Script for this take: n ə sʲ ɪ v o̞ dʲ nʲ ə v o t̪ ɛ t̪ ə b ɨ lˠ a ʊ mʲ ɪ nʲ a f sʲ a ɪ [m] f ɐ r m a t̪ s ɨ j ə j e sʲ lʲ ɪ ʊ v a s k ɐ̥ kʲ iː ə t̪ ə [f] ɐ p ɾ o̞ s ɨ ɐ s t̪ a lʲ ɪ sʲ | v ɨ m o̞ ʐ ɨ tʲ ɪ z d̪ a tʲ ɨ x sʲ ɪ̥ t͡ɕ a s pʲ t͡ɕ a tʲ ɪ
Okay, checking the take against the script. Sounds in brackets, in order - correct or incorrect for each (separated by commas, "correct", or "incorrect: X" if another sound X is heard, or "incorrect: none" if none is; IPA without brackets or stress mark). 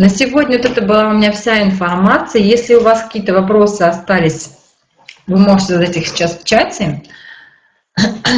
incorrect: n, incorrect: v